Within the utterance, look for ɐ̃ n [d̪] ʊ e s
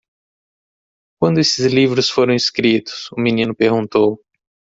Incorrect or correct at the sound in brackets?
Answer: correct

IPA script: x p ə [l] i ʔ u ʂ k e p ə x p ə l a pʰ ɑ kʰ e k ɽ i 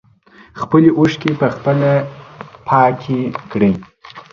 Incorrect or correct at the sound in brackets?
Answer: correct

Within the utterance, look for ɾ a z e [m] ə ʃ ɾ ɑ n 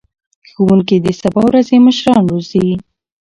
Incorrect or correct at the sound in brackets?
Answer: correct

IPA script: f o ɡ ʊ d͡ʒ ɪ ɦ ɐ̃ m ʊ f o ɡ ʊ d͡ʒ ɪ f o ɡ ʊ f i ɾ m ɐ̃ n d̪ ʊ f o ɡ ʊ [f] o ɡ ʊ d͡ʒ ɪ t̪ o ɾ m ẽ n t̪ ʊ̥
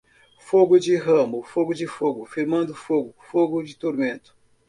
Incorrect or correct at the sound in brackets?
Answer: correct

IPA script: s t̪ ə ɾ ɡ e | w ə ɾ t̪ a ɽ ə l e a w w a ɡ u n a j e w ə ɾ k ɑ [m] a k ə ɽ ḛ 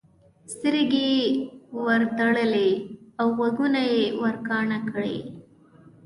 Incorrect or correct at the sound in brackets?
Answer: incorrect: ɳ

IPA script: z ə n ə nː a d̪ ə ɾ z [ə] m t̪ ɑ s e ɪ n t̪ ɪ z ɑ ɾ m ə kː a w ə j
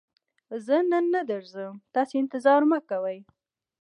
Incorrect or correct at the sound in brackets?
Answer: correct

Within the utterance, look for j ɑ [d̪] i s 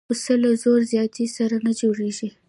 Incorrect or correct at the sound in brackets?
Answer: incorrect: t̪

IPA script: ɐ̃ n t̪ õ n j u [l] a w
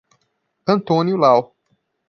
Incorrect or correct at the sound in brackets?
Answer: correct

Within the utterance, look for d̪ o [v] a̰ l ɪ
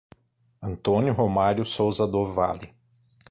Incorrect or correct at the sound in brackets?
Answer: correct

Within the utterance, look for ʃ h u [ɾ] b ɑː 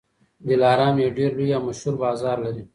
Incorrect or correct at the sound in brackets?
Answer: correct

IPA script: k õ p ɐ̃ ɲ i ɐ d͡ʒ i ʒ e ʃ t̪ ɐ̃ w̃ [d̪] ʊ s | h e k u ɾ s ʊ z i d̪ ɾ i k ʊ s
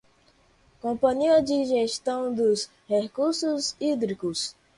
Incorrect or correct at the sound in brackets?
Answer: correct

